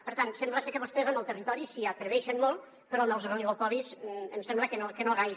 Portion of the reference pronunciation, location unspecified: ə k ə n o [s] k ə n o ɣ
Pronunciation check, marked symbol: incorrect: none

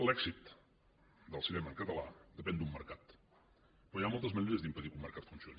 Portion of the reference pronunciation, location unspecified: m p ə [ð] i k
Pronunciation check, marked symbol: correct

